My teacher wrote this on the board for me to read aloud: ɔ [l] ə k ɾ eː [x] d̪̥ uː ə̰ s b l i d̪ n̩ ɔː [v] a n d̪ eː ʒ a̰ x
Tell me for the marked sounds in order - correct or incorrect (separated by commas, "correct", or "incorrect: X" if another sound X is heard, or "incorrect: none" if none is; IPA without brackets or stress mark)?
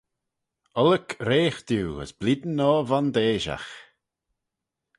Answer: correct, correct, correct